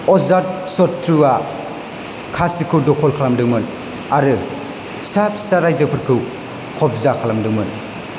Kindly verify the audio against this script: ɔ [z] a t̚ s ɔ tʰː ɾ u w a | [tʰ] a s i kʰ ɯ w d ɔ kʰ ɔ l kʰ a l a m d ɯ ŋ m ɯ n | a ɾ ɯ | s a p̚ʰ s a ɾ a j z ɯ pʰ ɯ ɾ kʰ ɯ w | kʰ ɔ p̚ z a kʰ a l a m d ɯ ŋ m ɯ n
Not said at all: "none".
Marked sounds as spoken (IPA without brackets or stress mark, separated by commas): z, kʰ